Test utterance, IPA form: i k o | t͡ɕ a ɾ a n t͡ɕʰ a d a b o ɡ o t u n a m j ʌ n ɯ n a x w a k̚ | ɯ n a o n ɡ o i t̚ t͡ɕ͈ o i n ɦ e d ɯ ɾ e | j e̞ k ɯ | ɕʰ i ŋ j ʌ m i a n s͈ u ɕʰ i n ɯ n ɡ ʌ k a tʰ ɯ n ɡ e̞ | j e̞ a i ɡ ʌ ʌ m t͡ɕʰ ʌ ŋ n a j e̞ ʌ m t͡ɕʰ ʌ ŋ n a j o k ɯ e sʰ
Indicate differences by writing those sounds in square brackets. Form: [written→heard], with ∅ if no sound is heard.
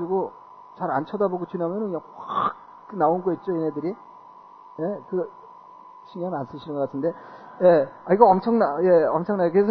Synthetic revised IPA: i [k→ɡ] o | t͡ɕ a ɾ a n t͡ɕʰ [a→ʌ] d a b o ɡ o [t→t͡ɕ] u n a m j ʌ n ɯ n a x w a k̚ | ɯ n a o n ɡ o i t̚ t͡ɕ͈ o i n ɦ e d ɯ ɾ [e→i] | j e̞ k ɯ | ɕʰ i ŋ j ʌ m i a n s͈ [u→ɯ] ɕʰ i n ɯ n ɡ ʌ k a tʰ ɯ n [ɡ→d] e̞ | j e̞ a i ɡ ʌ ʌ m t͡ɕʰ ʌ ŋ n a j e̞ ʌ m t͡ɕʰ ʌ ŋ n a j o k ɯ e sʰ